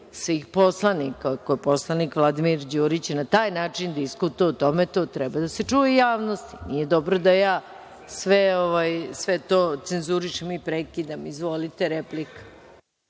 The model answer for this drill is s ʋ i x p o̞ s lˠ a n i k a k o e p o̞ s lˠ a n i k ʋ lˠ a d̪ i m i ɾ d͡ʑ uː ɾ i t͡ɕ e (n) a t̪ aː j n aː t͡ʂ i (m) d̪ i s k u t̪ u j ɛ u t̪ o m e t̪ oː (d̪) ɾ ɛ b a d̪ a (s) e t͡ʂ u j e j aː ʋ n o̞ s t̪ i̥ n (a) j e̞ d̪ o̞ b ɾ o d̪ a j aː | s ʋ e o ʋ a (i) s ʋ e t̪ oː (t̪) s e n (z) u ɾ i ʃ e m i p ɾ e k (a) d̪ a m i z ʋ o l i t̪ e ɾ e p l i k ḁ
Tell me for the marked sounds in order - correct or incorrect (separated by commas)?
correct, incorrect, incorrect, correct, incorrect, incorrect, correct, correct, incorrect